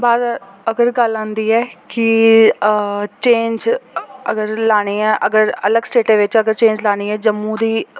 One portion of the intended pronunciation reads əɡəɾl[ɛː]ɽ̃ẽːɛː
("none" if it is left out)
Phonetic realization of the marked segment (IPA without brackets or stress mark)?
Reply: aː